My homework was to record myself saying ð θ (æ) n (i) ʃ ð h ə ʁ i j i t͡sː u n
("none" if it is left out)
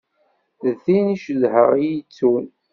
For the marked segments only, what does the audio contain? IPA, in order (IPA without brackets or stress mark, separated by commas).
i, i